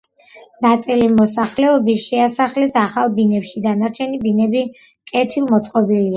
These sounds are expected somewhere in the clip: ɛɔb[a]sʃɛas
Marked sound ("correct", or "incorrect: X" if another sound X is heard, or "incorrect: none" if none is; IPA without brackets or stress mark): incorrect: i